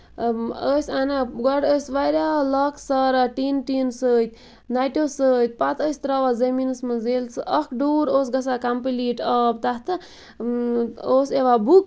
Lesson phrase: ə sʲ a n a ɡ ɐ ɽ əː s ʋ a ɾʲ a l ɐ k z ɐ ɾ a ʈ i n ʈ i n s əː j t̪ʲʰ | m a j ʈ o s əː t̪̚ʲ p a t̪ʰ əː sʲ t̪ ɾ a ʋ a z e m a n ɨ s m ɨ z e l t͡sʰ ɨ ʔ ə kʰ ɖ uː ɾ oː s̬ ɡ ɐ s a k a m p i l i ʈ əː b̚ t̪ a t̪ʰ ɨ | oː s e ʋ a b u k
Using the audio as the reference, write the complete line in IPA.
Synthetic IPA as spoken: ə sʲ a n a ɡ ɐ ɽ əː s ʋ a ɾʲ a l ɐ k s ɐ ɾ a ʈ i n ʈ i n s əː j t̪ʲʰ | n a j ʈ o s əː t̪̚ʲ p a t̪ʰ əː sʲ t̪ ɾ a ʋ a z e m i n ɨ s m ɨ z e l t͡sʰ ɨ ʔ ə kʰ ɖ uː ɾ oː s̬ ɡ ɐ s a k a m p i l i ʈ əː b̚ t̪ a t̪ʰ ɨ | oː s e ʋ a b u k